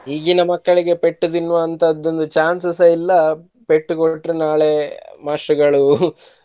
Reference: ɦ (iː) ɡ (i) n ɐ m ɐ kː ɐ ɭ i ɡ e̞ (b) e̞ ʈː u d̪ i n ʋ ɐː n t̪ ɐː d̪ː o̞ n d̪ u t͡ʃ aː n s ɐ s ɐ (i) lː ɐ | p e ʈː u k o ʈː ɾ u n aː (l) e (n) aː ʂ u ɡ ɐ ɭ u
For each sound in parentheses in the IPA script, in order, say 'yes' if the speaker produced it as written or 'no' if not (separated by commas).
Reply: yes, yes, no, yes, no, no